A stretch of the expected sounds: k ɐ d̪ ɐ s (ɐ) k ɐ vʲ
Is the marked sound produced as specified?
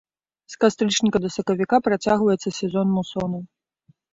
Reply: yes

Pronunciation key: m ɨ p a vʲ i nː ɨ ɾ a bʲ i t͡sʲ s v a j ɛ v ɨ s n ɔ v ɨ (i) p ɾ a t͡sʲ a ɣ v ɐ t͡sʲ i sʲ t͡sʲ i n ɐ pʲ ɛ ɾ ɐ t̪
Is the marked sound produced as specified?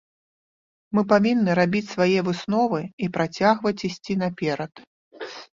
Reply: yes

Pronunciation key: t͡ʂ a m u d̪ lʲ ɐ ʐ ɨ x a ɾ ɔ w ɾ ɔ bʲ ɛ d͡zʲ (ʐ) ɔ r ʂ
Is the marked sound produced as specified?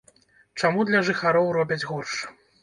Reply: no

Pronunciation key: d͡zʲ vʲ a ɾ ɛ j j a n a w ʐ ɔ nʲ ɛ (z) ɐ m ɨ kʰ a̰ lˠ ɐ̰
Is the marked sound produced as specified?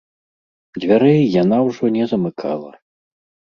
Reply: yes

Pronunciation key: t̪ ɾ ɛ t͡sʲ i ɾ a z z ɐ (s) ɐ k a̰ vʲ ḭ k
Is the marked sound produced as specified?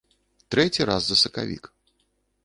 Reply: yes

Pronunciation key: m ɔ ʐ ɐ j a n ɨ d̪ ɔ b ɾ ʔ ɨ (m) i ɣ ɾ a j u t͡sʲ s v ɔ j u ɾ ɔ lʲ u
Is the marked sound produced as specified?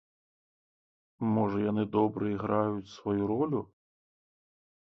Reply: no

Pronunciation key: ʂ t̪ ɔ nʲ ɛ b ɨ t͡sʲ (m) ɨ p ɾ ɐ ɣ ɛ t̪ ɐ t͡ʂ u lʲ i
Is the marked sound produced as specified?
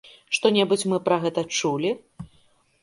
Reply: yes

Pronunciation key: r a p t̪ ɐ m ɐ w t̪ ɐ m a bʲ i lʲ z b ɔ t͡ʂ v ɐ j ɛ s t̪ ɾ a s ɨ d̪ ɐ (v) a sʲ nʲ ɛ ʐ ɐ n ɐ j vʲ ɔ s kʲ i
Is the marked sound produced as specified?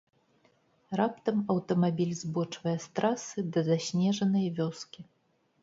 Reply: no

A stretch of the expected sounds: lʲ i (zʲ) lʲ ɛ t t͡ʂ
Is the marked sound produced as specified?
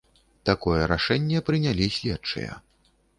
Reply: no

